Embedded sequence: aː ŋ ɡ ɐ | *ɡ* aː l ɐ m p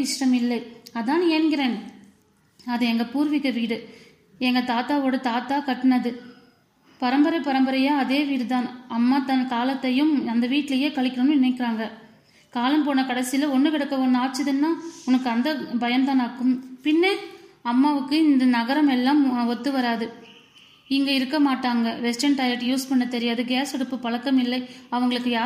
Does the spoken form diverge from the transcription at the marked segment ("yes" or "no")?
yes